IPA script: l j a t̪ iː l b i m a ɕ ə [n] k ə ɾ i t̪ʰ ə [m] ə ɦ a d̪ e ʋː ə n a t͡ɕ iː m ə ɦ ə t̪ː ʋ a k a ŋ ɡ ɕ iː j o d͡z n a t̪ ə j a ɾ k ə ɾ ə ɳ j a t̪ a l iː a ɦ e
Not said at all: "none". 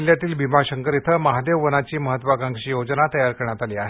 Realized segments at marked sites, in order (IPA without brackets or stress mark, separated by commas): ŋ, m